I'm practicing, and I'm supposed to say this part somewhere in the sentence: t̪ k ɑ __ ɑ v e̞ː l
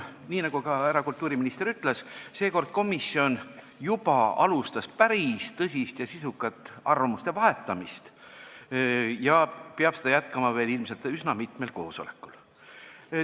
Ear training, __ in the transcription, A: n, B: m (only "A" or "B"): B